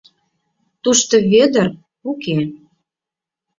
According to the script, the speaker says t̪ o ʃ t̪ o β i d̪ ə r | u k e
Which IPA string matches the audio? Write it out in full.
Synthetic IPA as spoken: t̪ u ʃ t̪ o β e d̪ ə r | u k e